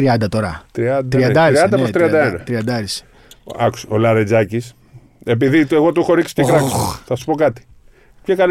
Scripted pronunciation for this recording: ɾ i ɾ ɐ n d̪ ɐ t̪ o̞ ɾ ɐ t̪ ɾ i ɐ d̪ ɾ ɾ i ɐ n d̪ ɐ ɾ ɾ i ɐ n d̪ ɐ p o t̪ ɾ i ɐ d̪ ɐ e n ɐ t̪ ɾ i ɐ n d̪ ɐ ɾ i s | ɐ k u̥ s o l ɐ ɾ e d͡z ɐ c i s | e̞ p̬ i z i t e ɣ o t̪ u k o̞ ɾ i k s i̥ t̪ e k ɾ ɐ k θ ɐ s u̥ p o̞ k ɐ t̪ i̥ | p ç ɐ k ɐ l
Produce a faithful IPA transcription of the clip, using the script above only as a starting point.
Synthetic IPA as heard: ɾ i ɐ n d̪ ɐ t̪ o̞ ɾ ɐ t̪ ɾ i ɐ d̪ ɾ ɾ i ɐ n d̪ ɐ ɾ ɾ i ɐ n d̪ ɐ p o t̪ ɾ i ɐ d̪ ɐ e n ɐ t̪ ɾ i ɐ n d̪ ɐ ɾ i s | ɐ k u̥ s o l ɐ ɾ e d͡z ɐ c i s | e̞ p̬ i ð i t e ɣ o t̪ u x o̞ ɾ i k s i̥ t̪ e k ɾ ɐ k θ ɐ s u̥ p o̞ k ɐ t̪ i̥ | p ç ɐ k ɐ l